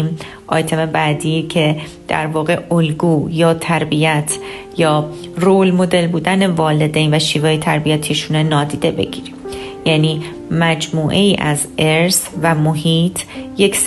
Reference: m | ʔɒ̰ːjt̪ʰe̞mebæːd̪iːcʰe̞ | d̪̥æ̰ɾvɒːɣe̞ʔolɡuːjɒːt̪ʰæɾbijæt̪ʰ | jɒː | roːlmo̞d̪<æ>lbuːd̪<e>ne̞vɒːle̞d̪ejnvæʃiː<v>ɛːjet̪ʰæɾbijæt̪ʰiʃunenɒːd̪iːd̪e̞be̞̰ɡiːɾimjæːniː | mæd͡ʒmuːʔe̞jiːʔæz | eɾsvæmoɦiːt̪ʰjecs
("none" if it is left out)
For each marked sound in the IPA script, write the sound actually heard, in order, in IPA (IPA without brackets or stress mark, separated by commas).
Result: e, æ, v